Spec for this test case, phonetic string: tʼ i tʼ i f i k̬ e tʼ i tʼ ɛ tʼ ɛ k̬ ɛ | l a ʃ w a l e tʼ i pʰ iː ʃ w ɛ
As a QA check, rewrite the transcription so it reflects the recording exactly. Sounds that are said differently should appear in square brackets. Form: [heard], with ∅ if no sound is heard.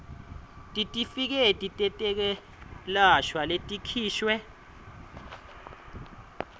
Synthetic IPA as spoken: tʼ i tʼ i f i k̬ [ɛ] tʼ i tʼ ɛ tʼ ɛ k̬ ɛ | l a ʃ w a l e tʼ i [kʰ] iː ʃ w ɛ

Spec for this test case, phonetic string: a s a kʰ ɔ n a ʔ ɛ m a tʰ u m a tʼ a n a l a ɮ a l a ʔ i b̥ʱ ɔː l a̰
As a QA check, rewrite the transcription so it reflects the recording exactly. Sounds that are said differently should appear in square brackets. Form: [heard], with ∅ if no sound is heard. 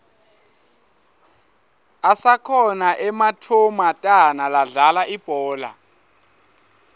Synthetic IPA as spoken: a s a kʰ ɔ n a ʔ ɛ m a tʰ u m a tʼ a n a l a ɮ a l a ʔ i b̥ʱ ɔː l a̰

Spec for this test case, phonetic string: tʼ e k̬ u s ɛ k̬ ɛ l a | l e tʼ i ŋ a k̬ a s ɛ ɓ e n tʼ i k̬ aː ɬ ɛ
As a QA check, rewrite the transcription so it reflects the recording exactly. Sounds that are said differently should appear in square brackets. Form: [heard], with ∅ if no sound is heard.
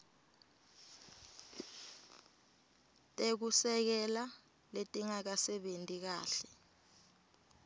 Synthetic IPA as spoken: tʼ e k̬ u s ɛ k̬ ɛ l a | l e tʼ i ŋ a k̬ a s ɛ ɓ e n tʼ i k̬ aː ɬ ɛ

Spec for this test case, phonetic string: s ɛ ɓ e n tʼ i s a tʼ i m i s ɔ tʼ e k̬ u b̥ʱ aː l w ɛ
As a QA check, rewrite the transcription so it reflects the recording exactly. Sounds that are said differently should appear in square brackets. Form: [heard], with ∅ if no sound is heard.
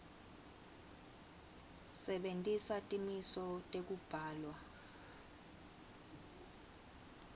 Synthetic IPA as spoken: s ɛ ɓ e n tʼ i s a tʼ i m i s ɔ tʼ e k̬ u b̥ʱ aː l w [a]

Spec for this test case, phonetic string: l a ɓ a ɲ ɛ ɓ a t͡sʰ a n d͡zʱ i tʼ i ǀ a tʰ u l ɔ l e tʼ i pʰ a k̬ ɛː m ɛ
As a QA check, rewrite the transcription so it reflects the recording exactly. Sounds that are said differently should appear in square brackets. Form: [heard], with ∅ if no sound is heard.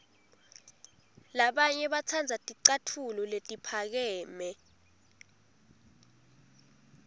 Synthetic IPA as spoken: l a ɓ a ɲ ɛ ɓ a t͡sʰ a n d͡zʱ [a] tʼ i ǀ a tʰ u l ɔ l e tʼ i pʰ a k̬ ɛː m ɛ

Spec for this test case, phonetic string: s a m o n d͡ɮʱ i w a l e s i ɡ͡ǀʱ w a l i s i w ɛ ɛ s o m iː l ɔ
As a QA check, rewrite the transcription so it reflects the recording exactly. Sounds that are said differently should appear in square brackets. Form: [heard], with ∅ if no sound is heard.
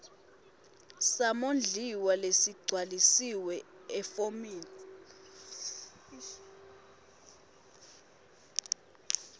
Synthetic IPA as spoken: s a m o n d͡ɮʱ i w a l e s i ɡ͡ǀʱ w a l i s i w ɛ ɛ [f] o m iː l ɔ

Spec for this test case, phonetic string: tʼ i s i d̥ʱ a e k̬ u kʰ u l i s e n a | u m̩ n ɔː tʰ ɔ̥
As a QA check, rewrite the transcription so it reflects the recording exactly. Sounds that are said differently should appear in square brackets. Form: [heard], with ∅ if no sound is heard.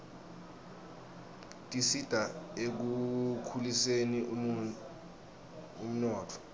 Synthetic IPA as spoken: tʼ i s i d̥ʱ a e k̬ u kʰ u l i s e n [i] | u m̩ n ɔː tʰ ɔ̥

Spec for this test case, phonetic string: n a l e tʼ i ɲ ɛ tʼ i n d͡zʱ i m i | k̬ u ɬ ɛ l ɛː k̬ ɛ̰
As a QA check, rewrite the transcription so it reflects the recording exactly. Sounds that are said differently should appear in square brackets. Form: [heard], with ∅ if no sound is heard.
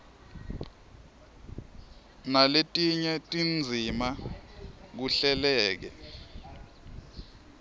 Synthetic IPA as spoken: n a l e tʼ i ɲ ɛ tʼ i n d͡zʱ i m [a] | k̬ u ɬ ɛ l ɛː k̬ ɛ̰

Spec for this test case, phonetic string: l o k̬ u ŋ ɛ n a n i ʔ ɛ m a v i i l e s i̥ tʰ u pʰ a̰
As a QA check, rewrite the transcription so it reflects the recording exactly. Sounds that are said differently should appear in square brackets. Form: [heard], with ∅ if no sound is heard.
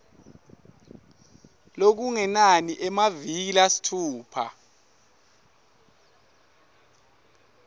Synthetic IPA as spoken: l o k̬ u ŋ ɛ n a n i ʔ ɛ m a v i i l [a] s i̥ tʰ [uː] pʰ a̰

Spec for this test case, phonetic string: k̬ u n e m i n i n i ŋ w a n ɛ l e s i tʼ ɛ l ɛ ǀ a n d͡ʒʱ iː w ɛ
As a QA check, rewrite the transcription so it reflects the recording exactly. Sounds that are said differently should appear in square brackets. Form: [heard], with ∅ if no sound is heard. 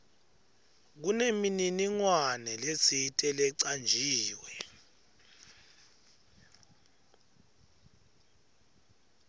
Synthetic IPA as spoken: k̬ u n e m i n i n i ŋ w a n ɛ l e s i tʼ ɛ l ɛ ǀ a n d͡ʒʱ iː w ɛ

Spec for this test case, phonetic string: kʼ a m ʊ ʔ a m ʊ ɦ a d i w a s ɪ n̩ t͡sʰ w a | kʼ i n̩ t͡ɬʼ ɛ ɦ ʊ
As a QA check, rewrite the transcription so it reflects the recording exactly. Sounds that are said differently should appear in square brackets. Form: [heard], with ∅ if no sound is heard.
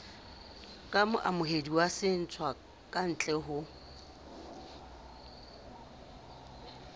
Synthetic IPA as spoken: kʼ a m ʊ ʔ a m ʊ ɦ [e] d i w a s ɪ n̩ t͡sʰ w a | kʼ [a] n̩ t͡ɬʼ ɛ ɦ ʊ

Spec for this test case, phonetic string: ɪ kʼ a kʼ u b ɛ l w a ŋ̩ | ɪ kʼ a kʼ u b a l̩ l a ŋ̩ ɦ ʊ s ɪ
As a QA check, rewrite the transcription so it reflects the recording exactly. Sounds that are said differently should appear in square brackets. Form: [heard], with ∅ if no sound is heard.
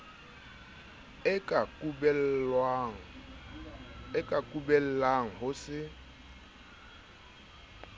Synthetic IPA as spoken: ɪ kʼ a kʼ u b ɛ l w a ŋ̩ | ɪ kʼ a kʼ u b [ɛ] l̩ l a ŋ̩ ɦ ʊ s ɪ

